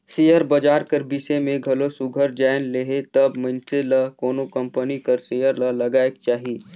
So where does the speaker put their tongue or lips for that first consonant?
tongue tip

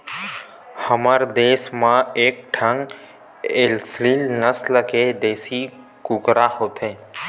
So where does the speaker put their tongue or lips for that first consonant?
throat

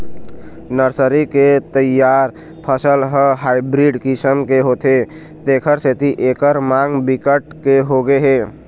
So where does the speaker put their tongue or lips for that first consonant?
tongue tip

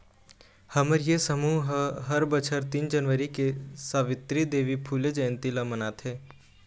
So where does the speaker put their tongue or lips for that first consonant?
throat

